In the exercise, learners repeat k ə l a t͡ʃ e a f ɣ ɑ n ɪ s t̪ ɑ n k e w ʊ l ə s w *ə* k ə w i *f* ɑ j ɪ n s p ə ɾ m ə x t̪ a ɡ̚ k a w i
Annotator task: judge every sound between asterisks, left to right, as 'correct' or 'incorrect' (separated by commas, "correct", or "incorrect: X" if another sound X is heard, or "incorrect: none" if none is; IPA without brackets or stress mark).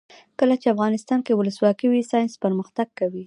incorrect: ɑ, incorrect: s